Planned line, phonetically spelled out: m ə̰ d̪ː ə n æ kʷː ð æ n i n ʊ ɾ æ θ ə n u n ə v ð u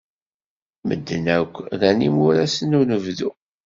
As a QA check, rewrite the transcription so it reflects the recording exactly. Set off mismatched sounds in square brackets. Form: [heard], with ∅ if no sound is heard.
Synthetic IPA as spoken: m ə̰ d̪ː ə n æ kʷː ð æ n i [m] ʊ ɾ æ [s] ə n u n ə v ð u